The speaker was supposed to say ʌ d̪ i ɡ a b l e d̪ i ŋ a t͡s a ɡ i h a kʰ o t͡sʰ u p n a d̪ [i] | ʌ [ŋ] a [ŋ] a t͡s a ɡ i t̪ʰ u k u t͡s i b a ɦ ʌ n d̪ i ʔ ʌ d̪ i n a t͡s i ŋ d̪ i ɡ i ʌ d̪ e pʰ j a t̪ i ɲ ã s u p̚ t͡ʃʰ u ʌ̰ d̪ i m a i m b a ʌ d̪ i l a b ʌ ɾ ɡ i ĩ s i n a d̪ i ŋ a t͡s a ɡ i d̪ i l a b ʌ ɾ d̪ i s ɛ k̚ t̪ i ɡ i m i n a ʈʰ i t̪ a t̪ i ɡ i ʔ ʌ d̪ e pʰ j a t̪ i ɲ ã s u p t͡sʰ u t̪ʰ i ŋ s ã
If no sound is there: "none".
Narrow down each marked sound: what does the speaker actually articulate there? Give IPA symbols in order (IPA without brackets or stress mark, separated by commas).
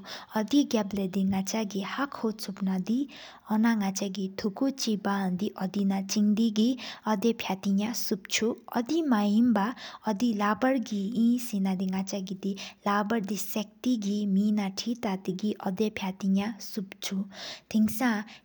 i, n, ŋ